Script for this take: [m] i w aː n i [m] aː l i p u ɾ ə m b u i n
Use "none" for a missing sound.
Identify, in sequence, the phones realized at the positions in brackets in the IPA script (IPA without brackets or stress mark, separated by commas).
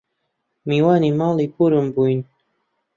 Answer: m, m